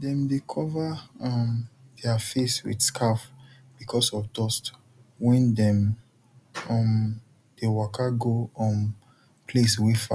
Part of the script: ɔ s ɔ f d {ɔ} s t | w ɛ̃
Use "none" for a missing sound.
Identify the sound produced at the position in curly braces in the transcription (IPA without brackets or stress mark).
ɔ